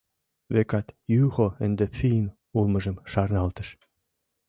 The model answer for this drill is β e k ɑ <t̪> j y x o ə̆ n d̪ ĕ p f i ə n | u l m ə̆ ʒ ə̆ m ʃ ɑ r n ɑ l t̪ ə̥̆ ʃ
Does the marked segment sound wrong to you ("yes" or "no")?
no